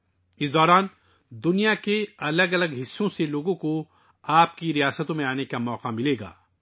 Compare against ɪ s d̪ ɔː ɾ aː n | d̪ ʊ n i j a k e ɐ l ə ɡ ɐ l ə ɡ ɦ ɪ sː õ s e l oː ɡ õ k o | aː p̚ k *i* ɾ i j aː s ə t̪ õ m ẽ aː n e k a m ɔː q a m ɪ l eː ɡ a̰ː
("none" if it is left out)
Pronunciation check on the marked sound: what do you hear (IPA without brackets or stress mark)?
i